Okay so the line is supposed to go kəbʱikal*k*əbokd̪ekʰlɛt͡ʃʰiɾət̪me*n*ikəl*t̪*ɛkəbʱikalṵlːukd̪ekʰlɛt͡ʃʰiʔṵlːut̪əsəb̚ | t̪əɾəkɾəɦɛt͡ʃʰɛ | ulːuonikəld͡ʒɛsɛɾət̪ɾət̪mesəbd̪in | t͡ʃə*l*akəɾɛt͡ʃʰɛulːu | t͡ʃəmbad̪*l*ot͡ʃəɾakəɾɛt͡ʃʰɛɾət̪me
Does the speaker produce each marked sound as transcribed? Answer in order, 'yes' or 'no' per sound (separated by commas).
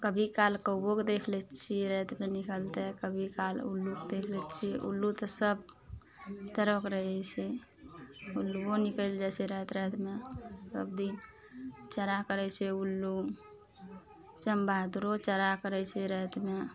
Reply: yes, yes, yes, no, no